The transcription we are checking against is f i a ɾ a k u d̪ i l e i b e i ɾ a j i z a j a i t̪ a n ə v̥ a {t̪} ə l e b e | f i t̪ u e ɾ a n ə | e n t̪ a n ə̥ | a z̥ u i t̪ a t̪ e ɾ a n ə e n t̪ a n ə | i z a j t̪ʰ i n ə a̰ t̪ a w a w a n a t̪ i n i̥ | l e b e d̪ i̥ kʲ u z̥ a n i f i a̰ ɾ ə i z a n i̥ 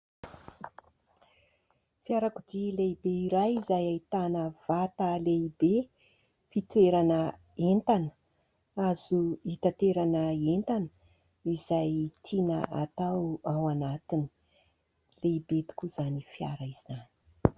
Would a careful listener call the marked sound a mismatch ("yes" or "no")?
no